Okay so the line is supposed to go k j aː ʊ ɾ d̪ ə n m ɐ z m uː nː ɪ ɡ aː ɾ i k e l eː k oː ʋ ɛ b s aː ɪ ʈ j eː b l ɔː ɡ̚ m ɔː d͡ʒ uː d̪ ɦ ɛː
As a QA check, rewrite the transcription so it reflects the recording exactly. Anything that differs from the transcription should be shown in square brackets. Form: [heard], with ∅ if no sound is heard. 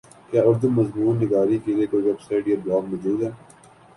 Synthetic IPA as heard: k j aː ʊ ɾ d̪ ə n m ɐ z m uː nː ɪ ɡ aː ɾ i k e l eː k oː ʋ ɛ b s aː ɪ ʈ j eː b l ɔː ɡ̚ m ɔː d͡ʒ uː d̪ ɦ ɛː